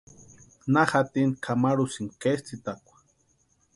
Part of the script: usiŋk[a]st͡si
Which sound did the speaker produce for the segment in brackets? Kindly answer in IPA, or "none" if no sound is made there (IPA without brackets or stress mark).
e